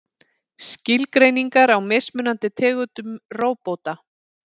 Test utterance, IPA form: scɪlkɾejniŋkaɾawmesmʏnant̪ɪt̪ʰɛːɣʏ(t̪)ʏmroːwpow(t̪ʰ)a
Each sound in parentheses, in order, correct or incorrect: correct, incorrect: t̪

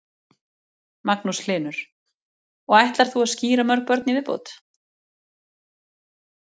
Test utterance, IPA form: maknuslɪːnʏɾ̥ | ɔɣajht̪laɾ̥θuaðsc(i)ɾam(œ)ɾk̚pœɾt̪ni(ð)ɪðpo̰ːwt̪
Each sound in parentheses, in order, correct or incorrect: incorrect: iː, correct, incorrect: v

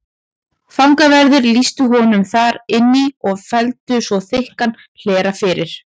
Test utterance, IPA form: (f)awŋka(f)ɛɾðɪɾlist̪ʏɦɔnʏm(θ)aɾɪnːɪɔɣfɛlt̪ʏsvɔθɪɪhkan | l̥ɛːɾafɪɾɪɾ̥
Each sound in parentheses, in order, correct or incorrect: correct, incorrect: v, correct

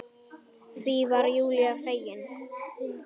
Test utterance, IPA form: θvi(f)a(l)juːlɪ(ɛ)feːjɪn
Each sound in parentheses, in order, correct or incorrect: incorrect: v, incorrect: ɾ, incorrect: a

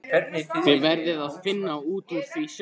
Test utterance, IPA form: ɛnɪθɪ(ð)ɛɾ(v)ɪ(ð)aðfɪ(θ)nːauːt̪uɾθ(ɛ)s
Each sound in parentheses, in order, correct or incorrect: incorrect: v, incorrect: ð, correct, incorrect: none, incorrect: i

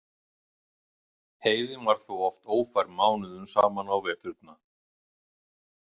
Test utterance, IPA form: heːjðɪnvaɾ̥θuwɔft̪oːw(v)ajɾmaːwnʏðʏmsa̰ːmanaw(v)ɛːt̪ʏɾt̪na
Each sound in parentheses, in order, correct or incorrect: incorrect: f, correct

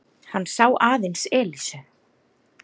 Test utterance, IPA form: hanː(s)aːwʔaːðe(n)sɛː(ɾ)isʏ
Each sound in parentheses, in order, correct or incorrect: correct, correct, incorrect: l

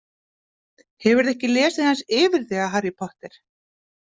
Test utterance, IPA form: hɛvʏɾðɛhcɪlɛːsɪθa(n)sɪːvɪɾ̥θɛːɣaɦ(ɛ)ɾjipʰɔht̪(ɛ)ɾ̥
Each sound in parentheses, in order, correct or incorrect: correct, incorrect: a, correct

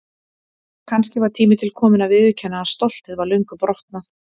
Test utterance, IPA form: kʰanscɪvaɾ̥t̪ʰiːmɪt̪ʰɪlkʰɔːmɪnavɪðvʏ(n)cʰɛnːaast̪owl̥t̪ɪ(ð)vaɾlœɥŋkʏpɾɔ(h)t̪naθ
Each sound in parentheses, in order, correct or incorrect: incorrect: none, correct, correct

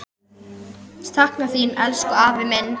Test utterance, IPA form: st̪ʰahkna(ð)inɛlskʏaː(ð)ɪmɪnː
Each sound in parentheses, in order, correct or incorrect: incorrect: θ, incorrect: v

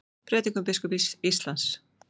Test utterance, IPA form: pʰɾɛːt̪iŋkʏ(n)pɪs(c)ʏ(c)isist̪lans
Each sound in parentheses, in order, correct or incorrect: incorrect: m, incorrect: k, incorrect: p

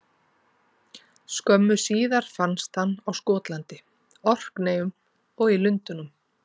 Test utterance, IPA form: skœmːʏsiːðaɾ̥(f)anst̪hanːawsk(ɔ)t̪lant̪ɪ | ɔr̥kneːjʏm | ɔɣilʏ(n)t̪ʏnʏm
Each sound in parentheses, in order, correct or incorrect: correct, incorrect: ɔː, correct

